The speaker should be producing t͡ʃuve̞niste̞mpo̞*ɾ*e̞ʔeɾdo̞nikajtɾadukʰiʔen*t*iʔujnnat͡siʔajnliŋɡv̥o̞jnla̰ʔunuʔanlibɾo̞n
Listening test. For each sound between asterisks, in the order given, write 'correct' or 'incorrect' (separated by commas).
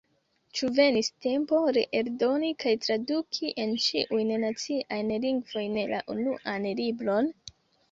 correct, incorrect